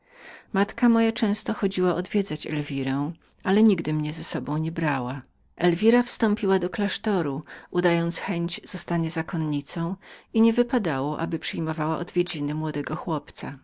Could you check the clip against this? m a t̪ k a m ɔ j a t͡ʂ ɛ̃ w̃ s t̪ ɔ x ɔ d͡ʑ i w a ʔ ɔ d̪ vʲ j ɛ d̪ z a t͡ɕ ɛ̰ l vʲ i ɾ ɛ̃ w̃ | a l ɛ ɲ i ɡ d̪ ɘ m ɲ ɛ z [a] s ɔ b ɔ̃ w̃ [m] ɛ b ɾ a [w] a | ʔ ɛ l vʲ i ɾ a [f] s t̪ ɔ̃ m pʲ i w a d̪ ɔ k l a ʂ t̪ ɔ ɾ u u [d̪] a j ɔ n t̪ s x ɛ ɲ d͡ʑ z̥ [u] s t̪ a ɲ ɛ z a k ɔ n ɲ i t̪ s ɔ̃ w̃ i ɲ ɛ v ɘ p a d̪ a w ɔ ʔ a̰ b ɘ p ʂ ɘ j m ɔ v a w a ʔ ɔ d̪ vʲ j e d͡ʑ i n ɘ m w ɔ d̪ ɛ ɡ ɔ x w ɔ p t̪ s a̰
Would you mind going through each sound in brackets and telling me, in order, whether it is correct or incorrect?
incorrect: ɛ, incorrect: ɲ, correct, correct, correct, incorrect: ɔ

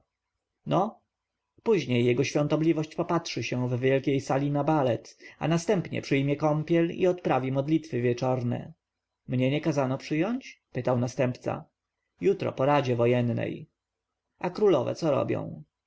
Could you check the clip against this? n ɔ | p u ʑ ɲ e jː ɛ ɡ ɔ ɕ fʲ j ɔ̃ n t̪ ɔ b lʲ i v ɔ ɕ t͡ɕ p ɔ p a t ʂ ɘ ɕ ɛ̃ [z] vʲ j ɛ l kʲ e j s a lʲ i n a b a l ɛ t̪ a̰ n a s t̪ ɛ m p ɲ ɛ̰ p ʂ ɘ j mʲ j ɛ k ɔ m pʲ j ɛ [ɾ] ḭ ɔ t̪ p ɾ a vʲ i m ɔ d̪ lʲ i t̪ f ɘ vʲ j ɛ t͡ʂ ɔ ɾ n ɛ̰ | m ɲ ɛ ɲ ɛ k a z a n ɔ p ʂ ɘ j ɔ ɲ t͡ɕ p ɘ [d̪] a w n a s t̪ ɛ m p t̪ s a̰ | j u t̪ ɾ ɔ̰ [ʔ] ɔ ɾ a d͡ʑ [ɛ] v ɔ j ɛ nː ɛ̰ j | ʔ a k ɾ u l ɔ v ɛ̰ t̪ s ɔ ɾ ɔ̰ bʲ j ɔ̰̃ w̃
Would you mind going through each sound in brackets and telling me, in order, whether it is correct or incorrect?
incorrect: v, incorrect: l, incorrect: t̪, incorrect: p, correct

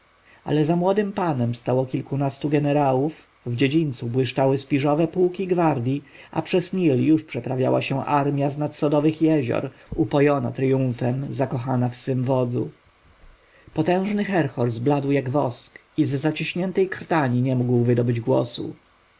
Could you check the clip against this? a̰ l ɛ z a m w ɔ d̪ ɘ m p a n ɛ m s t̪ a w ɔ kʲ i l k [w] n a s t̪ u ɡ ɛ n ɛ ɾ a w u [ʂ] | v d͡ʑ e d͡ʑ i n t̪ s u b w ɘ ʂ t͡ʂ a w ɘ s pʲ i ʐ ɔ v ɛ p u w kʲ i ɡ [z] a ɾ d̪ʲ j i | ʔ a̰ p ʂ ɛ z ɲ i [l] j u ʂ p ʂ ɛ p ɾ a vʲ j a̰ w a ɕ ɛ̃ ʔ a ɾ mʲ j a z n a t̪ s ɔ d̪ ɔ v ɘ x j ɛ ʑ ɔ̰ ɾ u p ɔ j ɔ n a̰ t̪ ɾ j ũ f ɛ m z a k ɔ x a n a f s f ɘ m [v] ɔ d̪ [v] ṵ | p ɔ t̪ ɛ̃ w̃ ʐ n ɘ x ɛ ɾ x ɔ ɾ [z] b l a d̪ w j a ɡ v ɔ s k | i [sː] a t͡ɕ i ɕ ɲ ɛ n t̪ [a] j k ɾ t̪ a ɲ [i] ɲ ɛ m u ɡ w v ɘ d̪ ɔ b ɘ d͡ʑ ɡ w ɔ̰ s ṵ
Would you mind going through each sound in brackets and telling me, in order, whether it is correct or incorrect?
incorrect: u, incorrect: f, incorrect: v, correct, correct, incorrect: z, correct, incorrect: zː, incorrect: ɛ, correct

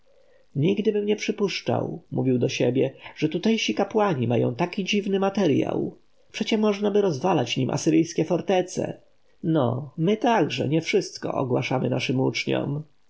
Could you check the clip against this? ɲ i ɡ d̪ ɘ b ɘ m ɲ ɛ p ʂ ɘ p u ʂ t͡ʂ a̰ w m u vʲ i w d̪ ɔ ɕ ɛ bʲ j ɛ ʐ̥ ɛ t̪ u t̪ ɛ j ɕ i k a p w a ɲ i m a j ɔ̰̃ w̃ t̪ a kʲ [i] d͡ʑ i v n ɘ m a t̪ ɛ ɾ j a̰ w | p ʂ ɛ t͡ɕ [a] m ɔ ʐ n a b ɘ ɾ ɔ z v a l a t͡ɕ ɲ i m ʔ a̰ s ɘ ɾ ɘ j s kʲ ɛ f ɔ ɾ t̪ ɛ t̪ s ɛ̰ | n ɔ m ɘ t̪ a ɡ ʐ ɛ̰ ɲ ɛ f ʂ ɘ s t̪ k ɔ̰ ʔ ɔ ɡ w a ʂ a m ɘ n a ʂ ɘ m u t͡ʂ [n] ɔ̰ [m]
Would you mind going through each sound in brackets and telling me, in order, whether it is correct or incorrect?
correct, incorrect: ɛ, incorrect: ɲ, correct

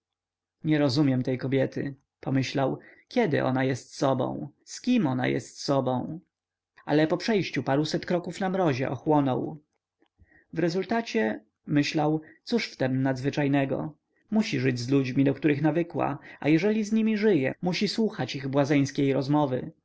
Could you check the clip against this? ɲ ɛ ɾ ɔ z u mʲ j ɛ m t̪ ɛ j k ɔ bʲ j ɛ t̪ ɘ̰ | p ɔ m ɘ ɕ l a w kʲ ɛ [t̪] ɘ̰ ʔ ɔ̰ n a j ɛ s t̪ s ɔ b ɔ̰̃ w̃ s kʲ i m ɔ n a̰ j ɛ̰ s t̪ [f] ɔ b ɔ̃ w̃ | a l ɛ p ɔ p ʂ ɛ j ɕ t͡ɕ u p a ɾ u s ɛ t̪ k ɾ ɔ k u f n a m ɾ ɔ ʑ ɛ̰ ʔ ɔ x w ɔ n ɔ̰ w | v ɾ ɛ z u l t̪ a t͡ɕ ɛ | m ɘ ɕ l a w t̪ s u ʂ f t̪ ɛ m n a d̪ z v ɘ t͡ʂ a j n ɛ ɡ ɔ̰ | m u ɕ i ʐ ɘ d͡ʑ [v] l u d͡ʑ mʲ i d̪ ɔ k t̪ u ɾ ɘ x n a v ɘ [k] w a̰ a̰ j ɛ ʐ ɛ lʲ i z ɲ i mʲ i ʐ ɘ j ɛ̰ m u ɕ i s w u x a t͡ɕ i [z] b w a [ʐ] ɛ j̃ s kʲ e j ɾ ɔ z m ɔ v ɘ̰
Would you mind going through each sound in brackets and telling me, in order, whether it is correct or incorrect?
incorrect: d̪, incorrect: s, incorrect: z, correct, incorrect: ɣ, incorrect: z

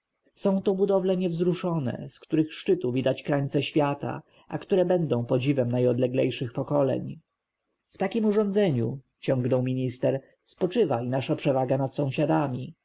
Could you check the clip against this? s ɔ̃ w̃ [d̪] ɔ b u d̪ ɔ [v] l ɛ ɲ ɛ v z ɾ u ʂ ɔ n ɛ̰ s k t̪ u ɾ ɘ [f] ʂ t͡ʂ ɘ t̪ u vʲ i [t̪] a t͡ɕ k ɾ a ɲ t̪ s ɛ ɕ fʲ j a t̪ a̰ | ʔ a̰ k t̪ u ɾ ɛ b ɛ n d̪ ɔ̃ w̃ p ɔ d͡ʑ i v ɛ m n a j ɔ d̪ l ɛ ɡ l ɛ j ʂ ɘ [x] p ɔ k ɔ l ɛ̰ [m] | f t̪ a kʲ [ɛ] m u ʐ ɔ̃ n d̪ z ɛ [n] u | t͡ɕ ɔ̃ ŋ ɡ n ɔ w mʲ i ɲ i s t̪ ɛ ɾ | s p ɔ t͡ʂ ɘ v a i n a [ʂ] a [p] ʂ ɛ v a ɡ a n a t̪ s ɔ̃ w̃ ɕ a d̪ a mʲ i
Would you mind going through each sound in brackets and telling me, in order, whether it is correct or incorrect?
incorrect: t̪, correct, incorrect: x, incorrect: d̪, correct, incorrect: ɲ, incorrect: i, incorrect: ɲ, correct, correct

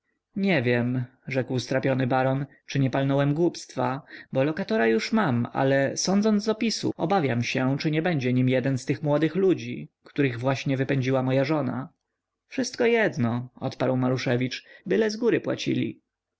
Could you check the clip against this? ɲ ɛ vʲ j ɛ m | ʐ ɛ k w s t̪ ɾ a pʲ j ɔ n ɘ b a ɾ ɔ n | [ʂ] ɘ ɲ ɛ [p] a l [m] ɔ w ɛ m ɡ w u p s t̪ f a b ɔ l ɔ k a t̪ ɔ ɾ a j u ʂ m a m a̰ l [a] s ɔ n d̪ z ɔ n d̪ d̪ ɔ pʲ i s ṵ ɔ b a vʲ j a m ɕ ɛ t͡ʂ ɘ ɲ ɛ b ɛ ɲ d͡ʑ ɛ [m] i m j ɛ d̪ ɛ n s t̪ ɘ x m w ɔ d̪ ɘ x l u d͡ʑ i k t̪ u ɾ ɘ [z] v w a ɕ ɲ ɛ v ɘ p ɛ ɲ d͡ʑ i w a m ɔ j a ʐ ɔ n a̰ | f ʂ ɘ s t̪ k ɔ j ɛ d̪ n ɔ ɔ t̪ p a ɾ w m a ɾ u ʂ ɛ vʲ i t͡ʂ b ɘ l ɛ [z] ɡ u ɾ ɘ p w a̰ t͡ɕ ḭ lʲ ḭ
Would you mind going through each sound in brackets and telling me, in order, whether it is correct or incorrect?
incorrect: t͡ʂ, correct, incorrect: n, incorrect: ɛ, incorrect: ɲ, incorrect: ɣ, correct

